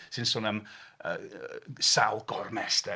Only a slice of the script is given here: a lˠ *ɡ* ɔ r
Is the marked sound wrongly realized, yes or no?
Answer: no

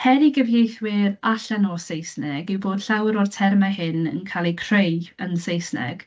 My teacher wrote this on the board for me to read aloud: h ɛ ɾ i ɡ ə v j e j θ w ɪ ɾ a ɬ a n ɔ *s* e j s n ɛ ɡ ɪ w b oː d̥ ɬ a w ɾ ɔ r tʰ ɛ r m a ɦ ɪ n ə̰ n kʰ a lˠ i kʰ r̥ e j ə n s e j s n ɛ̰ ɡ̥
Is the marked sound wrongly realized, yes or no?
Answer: no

